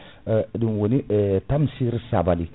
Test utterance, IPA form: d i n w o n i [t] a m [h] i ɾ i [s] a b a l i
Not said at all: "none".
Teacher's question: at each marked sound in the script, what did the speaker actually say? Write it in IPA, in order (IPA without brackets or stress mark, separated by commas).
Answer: t, s, s